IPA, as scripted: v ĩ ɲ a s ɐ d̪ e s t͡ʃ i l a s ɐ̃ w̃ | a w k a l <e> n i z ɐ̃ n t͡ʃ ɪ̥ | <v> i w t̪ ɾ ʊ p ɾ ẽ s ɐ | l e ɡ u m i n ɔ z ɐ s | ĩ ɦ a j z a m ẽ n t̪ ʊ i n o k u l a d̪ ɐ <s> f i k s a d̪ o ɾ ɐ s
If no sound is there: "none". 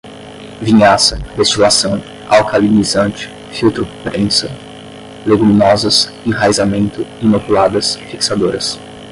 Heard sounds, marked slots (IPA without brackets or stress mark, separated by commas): i, f, s